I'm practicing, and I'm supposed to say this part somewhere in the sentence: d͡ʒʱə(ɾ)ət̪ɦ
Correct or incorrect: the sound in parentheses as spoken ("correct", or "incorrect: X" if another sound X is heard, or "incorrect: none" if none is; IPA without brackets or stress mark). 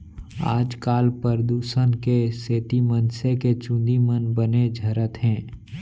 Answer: correct